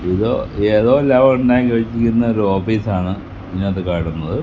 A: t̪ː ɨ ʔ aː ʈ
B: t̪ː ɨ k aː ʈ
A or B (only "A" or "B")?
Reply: B